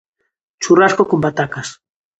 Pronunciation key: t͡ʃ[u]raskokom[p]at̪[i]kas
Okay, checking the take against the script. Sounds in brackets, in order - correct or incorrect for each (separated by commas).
correct, incorrect, incorrect